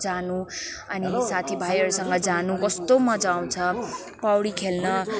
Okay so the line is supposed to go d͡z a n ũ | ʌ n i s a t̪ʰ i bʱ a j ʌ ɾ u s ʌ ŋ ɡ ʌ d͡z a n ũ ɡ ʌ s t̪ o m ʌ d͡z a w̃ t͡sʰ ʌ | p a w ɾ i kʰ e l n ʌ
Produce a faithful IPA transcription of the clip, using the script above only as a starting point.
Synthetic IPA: d͡z a n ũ | ʌ n i s a t̪ʰ i bʱ a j ʌ ɾ u s ʌ ŋ ɡ ʌ d͡z a n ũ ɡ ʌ s t̪ o m ʌ d͡z a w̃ t͡sʰ ʌ | p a w ɽ i kʰ e l n ʌ